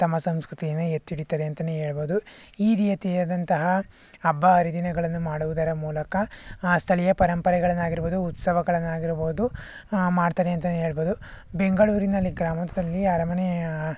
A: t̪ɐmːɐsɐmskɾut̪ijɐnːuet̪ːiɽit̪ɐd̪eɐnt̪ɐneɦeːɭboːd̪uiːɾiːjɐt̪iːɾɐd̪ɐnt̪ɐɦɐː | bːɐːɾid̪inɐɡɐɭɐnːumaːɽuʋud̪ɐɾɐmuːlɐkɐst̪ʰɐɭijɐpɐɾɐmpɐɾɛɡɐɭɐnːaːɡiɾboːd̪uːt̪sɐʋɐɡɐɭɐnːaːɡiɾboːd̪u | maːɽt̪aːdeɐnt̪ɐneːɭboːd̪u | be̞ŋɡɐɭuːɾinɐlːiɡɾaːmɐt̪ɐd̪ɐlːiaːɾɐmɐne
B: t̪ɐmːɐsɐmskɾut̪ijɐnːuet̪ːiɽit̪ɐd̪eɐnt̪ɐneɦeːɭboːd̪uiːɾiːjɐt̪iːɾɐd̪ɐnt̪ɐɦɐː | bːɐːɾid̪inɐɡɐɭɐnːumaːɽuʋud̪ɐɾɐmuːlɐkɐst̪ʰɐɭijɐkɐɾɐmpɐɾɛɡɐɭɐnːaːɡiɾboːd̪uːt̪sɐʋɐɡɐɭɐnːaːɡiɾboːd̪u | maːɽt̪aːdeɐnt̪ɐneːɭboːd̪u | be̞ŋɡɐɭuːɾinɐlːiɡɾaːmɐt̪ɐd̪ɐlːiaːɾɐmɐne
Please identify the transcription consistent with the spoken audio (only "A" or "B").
A